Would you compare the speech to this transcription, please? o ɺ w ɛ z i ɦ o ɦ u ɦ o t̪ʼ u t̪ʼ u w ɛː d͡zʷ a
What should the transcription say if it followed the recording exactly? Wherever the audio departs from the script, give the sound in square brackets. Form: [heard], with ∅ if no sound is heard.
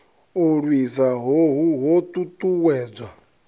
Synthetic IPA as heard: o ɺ w [i] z [a] ɦ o ɦ u ɦ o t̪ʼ u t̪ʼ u w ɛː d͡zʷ a